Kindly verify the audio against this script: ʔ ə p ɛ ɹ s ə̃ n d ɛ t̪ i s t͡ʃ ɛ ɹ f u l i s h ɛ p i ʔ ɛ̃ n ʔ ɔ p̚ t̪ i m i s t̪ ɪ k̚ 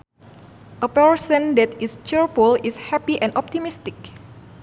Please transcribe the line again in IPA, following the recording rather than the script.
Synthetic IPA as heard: ʔ ə p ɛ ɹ s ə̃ n d ɛ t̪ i s t͡ʃ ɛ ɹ f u l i s h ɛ p i ʔ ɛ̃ n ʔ ɔ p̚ t̪ i m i s t̪ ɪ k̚